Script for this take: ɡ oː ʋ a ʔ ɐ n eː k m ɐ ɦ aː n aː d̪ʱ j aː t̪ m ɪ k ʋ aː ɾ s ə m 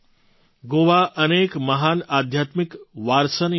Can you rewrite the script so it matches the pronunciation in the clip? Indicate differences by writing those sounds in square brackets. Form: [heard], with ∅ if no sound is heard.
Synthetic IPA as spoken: ɡ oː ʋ a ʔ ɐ n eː k m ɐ ɦ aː n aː d̪ʱ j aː t̪ m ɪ k ʋ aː ɾ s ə [n]